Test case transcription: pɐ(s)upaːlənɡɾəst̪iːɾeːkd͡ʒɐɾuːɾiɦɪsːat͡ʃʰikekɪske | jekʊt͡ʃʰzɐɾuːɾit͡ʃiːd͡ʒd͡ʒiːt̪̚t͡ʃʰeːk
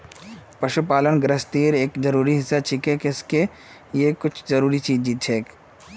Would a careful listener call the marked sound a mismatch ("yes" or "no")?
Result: yes